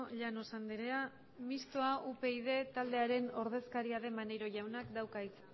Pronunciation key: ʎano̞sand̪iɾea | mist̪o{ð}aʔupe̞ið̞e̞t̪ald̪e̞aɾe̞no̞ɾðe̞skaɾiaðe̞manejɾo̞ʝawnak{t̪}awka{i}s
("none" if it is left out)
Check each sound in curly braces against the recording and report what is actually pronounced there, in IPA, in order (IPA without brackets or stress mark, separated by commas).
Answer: none, d̪, i